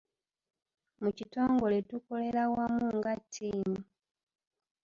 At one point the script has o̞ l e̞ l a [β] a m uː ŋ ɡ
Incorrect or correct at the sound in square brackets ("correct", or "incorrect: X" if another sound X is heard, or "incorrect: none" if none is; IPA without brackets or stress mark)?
incorrect: w